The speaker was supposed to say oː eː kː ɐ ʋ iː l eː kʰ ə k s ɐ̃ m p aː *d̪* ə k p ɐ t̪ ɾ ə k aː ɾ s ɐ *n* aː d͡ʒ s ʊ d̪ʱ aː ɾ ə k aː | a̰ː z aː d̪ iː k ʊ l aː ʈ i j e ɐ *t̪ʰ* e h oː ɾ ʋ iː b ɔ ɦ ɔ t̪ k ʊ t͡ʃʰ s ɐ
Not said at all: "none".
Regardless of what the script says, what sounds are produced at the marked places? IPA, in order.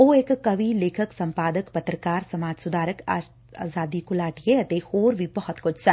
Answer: d̪, m, t̪

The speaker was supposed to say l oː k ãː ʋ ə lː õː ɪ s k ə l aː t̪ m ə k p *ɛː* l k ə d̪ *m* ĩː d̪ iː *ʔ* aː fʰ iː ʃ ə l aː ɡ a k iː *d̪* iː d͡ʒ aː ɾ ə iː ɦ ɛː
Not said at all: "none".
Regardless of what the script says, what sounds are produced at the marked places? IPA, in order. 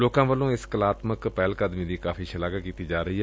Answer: ɛː, m, k, t̪

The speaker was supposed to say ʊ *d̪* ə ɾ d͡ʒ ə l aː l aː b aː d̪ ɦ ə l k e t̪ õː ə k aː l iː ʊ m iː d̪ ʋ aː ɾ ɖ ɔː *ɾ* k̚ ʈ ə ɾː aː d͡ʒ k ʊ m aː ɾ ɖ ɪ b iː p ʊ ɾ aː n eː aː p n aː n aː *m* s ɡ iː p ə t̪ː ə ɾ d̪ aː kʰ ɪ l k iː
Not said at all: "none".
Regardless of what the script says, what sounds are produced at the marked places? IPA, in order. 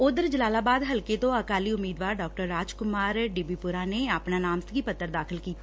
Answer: d̪, none, m

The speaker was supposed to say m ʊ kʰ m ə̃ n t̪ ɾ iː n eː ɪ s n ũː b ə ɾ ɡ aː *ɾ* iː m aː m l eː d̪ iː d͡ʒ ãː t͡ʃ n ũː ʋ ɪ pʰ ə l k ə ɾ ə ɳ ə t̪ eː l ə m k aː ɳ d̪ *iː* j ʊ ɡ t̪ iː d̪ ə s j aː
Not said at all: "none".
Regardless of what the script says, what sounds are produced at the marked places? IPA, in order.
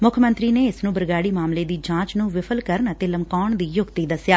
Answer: ɽ, iː

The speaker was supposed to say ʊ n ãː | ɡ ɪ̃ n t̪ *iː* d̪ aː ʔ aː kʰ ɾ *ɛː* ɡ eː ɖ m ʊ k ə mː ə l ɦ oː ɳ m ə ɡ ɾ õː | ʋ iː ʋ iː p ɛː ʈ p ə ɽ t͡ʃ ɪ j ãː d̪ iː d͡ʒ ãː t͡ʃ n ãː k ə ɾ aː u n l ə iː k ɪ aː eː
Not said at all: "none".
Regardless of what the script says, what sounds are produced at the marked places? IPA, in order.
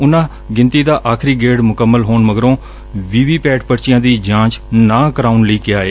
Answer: iː, iː

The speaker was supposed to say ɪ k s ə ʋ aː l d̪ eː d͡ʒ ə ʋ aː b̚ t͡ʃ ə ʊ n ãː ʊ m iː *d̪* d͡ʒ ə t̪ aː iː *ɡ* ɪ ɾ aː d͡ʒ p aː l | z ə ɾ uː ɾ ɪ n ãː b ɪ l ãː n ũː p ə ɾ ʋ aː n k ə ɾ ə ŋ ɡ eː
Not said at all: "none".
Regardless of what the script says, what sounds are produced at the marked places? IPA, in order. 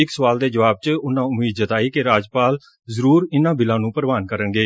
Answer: d̪, k

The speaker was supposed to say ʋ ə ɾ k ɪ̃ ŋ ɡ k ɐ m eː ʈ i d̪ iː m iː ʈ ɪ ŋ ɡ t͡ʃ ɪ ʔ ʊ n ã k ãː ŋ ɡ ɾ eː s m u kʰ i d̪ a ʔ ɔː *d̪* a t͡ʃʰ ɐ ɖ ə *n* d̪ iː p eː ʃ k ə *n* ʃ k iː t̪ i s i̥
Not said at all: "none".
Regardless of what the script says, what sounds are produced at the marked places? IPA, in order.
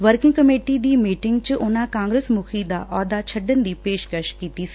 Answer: d̪, n, none

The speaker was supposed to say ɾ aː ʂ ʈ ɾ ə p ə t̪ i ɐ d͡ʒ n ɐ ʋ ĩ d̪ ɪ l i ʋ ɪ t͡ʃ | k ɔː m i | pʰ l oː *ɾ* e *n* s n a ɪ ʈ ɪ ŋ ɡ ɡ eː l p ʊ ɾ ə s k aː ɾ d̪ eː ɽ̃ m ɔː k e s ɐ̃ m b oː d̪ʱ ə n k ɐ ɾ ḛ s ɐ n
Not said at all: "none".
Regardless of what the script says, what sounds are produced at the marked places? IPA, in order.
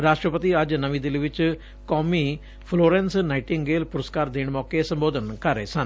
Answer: ɾ, n

